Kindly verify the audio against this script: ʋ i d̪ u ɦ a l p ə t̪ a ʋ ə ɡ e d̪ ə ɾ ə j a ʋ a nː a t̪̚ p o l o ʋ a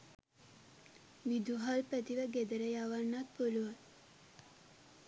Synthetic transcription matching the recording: ʋ i d̪ u ɦ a l p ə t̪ i ʋ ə ɡ e d̪ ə ɾ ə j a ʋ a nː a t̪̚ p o l u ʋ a

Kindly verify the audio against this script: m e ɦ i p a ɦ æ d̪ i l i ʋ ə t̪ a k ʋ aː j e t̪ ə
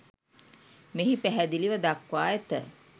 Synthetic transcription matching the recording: m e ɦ i p æ ɦ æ d̪ i l i ʋ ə d̪ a k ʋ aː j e t̪ ə

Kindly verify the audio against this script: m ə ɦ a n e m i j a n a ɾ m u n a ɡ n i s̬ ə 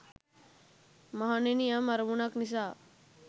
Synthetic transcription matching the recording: m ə ɦ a n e n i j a m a ɾ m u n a k n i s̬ a

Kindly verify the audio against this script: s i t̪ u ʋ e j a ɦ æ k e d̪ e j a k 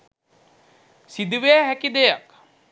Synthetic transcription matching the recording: s i d̪ u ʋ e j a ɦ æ k i d̪ e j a k

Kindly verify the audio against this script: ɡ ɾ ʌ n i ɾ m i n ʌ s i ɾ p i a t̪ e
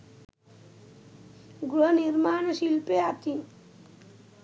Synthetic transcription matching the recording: ɡ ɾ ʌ n i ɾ m a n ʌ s i l p e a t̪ i

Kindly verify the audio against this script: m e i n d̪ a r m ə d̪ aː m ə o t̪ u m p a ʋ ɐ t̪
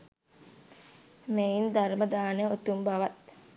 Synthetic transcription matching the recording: m e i n d̪ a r m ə d̪ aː n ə o t̪ u m b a ʋ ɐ t̪

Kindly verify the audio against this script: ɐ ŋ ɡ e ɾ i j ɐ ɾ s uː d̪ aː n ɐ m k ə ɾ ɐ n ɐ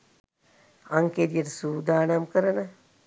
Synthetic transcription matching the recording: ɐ ŋ k e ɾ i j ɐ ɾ s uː d̪ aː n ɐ m k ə ɾ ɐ n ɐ

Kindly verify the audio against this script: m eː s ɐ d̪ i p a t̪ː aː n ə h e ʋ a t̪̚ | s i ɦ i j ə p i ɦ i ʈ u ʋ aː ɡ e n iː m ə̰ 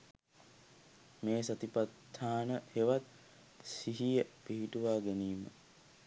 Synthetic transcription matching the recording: m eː s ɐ t̪ i p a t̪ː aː n ə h e ʋ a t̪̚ | s i ɦ i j ə p i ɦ i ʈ u ʋ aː ɡ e n iː m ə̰

